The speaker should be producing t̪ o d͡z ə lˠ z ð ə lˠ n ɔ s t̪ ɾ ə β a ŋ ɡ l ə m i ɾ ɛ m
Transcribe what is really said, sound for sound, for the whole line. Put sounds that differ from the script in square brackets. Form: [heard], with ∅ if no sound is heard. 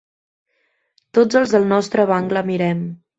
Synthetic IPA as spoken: t̪ o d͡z ə lˠ z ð ə lˠ n ɔ s t̪ ɾ ə β a ŋ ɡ l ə m i ɾ ɛ m